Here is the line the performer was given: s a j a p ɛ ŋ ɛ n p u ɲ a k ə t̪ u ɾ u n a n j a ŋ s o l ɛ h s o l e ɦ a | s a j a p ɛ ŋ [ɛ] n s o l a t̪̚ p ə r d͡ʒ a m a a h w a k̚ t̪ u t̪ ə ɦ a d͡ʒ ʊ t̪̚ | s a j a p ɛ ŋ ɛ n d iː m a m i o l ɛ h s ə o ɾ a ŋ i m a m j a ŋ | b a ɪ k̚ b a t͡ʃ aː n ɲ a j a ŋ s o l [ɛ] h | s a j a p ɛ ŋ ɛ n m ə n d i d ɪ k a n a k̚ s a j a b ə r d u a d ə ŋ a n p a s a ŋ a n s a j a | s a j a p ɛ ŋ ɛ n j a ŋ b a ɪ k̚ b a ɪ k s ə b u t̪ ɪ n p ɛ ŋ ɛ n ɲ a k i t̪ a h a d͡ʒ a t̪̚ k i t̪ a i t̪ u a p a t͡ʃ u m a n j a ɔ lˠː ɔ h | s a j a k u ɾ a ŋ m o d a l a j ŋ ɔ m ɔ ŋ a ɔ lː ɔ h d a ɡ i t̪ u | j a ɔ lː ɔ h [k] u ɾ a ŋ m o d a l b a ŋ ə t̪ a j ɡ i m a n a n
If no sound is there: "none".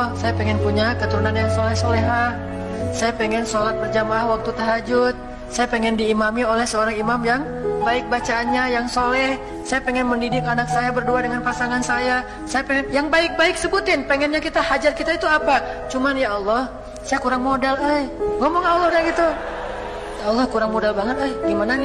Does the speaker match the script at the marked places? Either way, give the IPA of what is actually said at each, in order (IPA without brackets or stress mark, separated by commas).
ɛ, ɛ, k